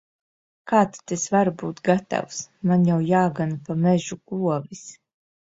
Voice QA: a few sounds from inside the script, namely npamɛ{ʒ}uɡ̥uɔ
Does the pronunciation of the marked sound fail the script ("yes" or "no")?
no